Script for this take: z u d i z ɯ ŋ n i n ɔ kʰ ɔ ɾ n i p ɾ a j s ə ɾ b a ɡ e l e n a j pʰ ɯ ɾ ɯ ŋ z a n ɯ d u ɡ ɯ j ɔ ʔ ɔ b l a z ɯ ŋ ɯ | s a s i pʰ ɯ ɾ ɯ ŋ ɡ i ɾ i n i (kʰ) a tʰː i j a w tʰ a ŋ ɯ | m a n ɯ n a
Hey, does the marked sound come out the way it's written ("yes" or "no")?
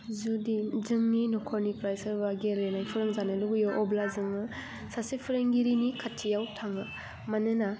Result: yes